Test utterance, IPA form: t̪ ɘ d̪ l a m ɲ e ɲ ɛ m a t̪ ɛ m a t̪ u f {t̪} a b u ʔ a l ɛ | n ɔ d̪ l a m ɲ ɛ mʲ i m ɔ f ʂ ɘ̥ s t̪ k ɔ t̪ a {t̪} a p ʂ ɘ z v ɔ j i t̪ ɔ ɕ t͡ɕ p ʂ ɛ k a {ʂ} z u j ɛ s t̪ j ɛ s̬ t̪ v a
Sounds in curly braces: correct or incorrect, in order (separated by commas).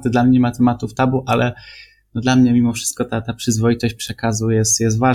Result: correct, correct, incorrect